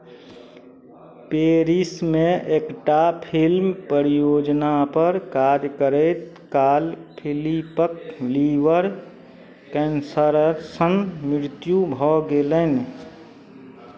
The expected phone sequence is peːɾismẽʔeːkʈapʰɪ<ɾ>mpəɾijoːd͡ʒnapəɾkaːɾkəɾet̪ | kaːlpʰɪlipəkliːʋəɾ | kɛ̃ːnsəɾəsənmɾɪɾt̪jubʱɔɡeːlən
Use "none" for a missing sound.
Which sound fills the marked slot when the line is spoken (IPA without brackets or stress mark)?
l